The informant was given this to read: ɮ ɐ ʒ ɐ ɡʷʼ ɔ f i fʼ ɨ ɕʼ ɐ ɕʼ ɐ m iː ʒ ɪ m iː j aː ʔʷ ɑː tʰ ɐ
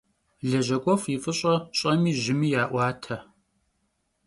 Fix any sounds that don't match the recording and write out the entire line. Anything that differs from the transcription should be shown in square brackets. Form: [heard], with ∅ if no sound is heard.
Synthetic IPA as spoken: ɮ ɐ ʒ ɐ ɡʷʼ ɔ f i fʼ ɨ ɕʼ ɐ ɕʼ ɐ m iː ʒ ɪ m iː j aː ʔʷ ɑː tʰ ɐ